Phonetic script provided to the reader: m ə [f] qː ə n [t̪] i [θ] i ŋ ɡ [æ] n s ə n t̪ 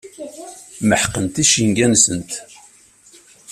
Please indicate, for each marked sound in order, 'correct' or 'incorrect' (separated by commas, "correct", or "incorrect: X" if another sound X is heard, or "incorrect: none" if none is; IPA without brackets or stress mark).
incorrect: ħ, correct, incorrect: ʃ, correct